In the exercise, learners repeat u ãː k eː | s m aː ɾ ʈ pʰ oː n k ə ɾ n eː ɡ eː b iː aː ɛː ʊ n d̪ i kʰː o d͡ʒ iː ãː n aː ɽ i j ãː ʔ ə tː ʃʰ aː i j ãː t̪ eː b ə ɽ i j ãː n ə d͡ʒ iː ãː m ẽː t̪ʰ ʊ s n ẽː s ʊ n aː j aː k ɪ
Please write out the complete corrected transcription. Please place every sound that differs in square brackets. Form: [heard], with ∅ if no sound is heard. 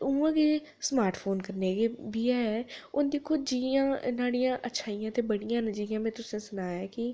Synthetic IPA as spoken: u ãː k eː | s m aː ɾ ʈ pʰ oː n k ə ɾ n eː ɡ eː b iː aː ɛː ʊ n d̪ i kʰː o d͡ʒ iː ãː n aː ɽ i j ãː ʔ ə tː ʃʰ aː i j ãː t̪ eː b ə ɽ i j ãː n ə d͡ʒ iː ãː m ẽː [t̪] ʊ s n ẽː s ʊ n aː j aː k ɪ